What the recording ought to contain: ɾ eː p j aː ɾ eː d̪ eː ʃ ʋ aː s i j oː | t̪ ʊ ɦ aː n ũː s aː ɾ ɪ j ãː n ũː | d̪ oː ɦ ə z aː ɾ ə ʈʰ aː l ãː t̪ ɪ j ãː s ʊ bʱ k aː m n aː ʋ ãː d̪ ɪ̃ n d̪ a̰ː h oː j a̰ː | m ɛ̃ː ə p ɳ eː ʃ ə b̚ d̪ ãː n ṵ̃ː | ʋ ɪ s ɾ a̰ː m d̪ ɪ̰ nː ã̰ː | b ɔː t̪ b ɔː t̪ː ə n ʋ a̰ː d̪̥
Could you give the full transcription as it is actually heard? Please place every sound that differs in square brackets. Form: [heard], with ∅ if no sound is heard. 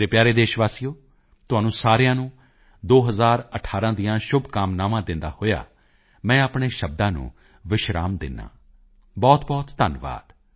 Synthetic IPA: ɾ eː p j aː ɾ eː d̪ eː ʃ ʋ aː s i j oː | t̪ ʊ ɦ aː n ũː s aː ɾ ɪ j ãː n ũː | d̪ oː ɦ ə z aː ɾ ə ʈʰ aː [ɾ] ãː [d̪] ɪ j ãː [ʃ] ʊ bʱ k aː m n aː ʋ ãː d̪ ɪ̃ n d̪ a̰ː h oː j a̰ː | m ɛ̃ː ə p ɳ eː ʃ ə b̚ d̪ ãː n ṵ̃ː | ʋ ɪ [ʃ] ɾ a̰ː m d̪ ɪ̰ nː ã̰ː | b ɔː t̪ b ɔː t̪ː ə n ʋ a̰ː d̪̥